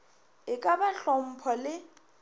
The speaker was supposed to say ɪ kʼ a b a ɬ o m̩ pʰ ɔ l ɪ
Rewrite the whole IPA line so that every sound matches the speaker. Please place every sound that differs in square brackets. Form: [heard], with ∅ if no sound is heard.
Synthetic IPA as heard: ɪ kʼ a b a ɬ [ɔ] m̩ pʰ ɔ l ɪ